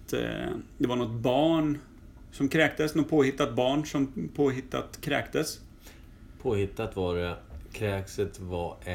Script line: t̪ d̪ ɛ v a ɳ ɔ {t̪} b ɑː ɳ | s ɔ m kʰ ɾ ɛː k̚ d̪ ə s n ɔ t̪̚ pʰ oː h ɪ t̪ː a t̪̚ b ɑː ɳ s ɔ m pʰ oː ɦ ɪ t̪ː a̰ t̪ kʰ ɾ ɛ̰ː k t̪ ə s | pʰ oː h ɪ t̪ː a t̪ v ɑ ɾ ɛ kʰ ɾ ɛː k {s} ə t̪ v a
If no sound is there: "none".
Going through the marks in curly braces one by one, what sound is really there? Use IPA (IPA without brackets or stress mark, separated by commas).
t̪, s